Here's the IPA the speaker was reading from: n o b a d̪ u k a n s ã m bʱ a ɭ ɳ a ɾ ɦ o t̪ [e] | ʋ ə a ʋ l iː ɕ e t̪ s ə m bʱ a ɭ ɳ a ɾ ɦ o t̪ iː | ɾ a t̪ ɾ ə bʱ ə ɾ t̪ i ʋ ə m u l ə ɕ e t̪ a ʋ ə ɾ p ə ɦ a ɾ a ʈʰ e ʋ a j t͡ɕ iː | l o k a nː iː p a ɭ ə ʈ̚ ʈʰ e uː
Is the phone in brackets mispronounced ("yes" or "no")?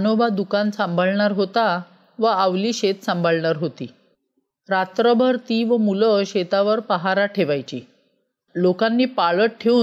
yes